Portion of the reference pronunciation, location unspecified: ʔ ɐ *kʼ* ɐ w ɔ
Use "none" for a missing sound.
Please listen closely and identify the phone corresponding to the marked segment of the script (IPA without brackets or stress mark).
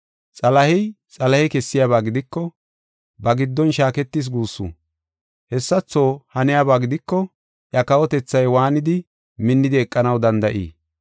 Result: k